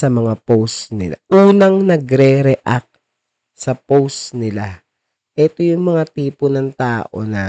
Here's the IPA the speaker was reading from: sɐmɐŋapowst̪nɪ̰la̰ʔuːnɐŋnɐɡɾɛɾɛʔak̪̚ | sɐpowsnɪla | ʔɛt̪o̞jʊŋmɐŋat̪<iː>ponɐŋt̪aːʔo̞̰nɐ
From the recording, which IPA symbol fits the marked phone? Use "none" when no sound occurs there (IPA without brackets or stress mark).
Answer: iː